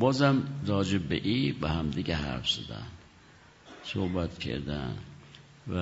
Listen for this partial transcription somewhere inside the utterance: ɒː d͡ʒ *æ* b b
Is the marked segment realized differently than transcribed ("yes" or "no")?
yes